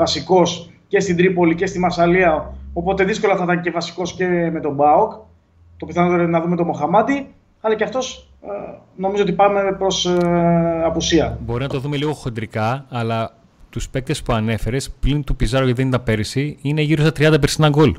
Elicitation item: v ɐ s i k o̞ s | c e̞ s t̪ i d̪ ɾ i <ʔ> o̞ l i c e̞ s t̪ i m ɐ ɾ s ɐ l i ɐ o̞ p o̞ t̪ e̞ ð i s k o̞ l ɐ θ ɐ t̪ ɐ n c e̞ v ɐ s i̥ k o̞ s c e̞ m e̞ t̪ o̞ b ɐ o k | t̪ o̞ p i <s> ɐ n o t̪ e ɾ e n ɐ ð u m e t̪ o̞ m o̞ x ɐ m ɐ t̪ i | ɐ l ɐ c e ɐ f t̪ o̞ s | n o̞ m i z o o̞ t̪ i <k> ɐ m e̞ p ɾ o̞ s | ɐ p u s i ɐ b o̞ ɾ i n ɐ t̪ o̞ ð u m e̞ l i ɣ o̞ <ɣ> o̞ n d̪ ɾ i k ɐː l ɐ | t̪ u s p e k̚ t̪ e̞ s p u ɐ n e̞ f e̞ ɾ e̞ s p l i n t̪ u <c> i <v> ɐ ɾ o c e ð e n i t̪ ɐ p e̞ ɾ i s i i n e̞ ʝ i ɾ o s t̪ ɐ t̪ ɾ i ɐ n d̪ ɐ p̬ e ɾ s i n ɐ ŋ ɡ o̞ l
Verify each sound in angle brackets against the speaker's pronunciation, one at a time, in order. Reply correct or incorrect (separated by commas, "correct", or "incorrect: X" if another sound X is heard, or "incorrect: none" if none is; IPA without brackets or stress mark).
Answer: incorrect: p, incorrect: θ, incorrect: p, incorrect: x, incorrect: p, incorrect: z